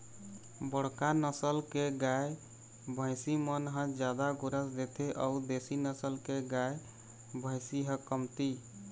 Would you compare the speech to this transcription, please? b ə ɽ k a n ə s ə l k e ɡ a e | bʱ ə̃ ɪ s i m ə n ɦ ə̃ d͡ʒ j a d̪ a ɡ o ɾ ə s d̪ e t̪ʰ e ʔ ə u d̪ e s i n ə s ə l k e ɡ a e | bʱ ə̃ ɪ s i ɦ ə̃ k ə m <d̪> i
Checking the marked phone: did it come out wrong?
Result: yes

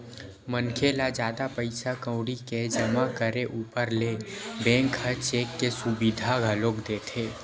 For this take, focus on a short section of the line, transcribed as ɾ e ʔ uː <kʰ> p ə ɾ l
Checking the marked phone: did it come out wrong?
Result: yes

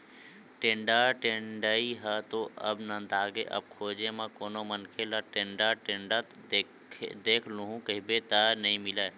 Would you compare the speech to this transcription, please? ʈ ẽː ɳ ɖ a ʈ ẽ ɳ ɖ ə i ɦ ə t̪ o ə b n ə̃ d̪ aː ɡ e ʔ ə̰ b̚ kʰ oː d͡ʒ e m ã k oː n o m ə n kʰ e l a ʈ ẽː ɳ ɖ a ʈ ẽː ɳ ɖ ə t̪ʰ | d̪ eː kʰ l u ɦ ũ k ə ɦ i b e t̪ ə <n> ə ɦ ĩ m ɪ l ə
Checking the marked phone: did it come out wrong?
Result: no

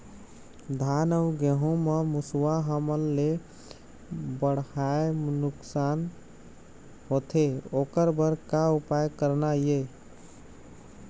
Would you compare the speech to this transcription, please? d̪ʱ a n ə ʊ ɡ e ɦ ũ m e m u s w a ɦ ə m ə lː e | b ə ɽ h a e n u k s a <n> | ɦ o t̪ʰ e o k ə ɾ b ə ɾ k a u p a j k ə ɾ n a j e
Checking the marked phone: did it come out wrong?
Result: no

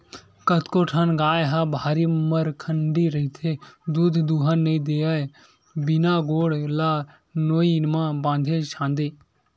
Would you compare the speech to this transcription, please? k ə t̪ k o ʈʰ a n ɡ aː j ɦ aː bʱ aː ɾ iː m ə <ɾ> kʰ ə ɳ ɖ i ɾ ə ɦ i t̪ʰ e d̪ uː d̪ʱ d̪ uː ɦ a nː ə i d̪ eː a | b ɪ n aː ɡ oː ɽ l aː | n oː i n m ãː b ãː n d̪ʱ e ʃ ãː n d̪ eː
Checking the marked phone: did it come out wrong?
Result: no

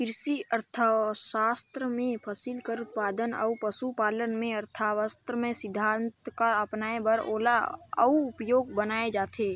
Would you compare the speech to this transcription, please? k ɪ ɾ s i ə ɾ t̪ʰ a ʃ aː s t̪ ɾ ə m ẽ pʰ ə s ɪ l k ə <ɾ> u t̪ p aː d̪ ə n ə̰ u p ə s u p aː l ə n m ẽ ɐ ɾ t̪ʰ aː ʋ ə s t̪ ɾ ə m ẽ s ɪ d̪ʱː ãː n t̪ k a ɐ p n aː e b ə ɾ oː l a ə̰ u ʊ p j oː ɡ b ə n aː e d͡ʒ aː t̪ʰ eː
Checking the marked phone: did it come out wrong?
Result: no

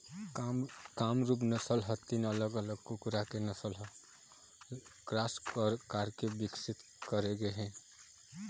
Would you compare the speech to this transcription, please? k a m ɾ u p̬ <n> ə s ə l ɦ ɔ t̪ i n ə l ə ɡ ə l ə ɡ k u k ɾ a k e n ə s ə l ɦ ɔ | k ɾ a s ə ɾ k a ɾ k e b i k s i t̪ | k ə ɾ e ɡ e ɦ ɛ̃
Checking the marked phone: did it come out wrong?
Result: no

